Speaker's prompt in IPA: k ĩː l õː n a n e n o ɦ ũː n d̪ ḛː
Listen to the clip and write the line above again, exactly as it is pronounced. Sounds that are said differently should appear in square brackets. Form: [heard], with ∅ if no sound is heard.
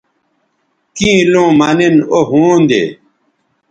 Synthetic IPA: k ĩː l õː [m] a n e n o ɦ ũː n d̪ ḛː